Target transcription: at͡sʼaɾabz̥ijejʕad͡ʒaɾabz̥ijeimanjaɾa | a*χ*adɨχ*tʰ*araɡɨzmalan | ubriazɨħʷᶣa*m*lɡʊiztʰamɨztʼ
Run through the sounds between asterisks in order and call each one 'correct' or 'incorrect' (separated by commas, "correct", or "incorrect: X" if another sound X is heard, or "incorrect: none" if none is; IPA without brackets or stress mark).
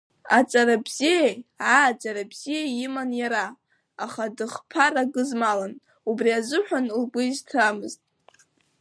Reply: correct, incorrect: pʰ, incorrect: n